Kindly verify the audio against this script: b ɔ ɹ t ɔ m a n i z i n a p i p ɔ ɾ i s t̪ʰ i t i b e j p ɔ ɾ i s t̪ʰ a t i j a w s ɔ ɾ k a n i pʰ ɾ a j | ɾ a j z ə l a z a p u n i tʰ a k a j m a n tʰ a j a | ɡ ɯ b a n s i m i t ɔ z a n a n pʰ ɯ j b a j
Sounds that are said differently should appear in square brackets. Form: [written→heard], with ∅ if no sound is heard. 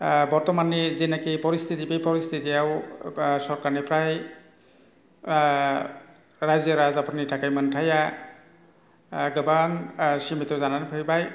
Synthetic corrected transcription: b ɔ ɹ t ɔ m a n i z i n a [p→k] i p ɔ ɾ i s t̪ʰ i t i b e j p ɔ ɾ i s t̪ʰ [a→i] t i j a w s ɔ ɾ k a n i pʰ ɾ a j | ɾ a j z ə [l→ɾ] a z a p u n i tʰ a k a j m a n tʰ a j a | ɡ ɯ b a [n→ŋ] s i m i t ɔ z a n a n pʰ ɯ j b a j